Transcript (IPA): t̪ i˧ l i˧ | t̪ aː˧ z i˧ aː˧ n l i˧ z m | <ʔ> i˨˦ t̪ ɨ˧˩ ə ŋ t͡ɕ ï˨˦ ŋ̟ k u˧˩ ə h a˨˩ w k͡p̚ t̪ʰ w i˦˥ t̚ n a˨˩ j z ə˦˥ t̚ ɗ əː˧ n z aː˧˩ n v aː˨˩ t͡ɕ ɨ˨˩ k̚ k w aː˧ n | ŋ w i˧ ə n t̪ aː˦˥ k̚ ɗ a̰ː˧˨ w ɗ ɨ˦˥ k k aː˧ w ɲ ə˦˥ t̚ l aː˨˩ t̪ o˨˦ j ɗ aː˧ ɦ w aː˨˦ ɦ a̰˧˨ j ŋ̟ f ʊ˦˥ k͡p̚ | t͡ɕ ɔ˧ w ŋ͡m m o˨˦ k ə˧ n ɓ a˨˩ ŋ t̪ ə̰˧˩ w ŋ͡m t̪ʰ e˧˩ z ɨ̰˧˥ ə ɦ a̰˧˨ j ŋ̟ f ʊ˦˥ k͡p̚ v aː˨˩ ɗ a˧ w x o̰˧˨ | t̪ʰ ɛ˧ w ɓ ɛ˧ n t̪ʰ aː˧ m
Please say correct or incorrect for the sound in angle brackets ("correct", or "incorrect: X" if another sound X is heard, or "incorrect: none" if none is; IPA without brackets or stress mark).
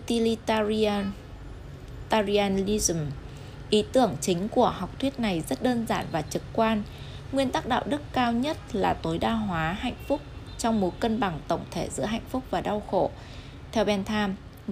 correct